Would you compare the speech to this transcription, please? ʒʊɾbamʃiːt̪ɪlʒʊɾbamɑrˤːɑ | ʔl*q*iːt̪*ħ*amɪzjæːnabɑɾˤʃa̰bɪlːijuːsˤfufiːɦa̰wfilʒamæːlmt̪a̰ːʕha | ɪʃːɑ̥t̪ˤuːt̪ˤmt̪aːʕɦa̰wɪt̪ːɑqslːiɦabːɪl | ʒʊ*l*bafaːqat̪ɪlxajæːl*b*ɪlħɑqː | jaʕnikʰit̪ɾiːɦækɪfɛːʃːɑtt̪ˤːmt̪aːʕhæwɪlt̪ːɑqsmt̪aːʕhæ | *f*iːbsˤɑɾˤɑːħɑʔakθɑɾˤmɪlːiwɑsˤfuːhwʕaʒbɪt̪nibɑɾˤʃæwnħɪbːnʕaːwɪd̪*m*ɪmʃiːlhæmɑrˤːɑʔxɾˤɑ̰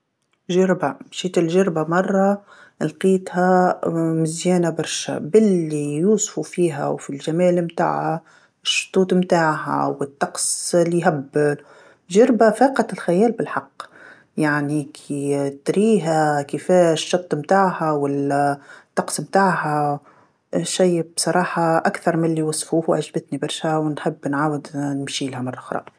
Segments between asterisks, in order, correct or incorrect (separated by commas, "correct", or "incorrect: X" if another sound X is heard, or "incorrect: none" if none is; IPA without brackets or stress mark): correct, incorrect: h, incorrect: ɾ, correct, incorrect: ʃ, incorrect: n